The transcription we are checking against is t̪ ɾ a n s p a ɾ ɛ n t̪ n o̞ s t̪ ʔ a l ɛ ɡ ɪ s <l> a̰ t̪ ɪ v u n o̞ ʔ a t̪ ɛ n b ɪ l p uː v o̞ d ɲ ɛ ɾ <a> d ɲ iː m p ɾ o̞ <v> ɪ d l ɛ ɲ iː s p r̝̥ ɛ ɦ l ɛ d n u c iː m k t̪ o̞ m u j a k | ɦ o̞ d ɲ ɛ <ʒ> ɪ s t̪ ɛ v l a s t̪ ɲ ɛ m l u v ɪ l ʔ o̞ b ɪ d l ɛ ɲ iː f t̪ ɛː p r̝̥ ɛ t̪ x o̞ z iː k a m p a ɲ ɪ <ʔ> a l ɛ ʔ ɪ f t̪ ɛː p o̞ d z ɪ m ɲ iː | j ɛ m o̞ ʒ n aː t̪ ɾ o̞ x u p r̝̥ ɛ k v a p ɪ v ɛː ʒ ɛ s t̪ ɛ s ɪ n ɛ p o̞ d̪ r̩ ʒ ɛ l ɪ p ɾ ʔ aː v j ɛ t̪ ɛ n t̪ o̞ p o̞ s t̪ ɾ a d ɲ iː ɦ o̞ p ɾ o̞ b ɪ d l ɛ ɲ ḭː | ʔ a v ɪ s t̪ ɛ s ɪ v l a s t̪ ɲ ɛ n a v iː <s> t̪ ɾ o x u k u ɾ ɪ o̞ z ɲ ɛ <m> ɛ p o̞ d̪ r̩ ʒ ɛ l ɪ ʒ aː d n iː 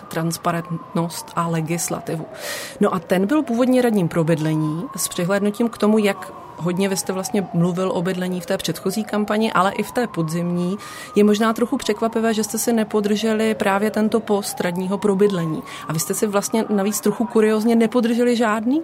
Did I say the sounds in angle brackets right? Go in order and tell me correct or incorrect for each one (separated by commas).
correct, correct, incorrect, incorrect, correct, incorrect, incorrect